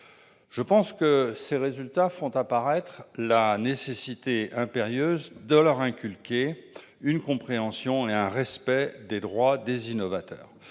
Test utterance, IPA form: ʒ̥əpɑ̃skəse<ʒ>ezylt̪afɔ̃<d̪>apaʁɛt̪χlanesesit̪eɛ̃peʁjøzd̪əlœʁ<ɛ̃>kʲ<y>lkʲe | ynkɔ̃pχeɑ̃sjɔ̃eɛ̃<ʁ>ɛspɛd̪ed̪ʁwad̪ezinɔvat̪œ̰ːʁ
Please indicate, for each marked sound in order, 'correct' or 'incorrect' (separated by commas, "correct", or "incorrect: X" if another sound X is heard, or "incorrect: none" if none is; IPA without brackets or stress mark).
incorrect: ʁ, incorrect: t̪, correct, correct, correct